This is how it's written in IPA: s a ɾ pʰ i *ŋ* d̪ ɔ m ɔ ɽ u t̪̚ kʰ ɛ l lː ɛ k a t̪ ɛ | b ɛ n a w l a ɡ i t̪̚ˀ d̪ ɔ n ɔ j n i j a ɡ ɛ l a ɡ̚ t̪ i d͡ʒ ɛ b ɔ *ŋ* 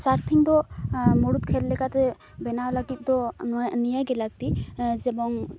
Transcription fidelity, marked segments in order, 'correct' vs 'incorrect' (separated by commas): correct, correct